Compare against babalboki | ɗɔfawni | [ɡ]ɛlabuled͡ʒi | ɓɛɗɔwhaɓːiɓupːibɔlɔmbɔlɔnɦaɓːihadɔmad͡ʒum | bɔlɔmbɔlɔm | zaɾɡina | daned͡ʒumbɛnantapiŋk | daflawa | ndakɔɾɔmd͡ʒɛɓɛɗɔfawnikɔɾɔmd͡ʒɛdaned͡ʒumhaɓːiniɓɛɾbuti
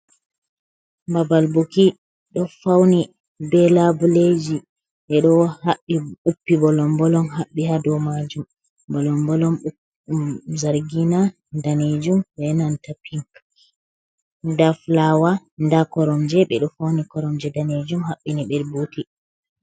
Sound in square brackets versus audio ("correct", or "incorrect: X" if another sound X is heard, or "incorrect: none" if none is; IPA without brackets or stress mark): incorrect: b